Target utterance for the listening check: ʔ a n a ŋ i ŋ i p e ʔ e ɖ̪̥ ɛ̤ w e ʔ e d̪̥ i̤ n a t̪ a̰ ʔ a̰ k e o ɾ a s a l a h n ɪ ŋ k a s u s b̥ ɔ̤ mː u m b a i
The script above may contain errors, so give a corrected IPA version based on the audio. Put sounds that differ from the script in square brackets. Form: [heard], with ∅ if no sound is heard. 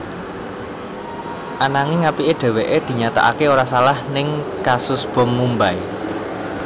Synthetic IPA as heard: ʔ a n a ŋ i ŋ [a] p [i] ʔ e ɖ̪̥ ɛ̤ w e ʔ e d̪̥ i̤ [ɲ] a t̪ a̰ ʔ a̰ k e o ɾ a s a l a h n ɪ ŋ k a s [ʊ] s b̥ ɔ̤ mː u m b a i